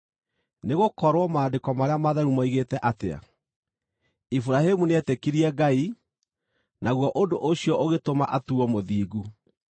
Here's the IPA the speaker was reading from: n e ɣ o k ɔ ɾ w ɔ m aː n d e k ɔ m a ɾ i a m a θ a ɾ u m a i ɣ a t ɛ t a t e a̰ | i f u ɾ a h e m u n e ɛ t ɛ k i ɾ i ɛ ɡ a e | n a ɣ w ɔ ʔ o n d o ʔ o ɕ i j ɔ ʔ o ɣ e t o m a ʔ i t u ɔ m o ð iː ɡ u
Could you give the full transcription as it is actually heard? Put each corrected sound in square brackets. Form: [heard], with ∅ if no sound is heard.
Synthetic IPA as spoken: n e ɣ o k ɔ ɾ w ɔ m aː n d e k ɔ m a ɾ [e] a m a [ð] a ɾ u m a i ɣ [e] t ɛ [ʔ] a t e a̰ | i f u ɾ a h e m u n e ɛ t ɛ k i ɾ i ɛ ɡ a [i] | n a ɣ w ɔ ʔ o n d o ʔ o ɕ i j ɔ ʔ o ɣ e t o m a ʔ [a] t u ɔ m o ð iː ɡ u